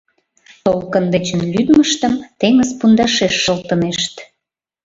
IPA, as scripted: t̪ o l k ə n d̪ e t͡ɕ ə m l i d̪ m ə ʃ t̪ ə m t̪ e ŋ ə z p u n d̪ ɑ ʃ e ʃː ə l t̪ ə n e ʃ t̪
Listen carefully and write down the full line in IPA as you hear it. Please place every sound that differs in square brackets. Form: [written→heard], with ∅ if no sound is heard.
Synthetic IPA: t̪ o l k ə n d̪ e t͡ɕ ə [m→n] l [i→y] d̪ m ə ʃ t̪ ə m t̪ e ŋ ə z p u n d̪ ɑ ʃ e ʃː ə l t̪ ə n e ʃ t̪